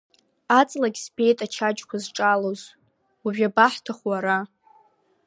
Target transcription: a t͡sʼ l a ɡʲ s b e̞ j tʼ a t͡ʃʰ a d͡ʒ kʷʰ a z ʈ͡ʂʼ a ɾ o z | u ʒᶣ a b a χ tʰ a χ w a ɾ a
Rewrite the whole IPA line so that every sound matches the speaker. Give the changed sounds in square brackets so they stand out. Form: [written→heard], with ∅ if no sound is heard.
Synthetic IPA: a t͡sʼ l a ɡʲ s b e̞ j tʼ a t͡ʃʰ a d͡ʒ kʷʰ a z ʈ͡ʂʼ a [ɾ→l] o z | u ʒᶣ a b a [χ→ħ] tʰ a χ w a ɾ a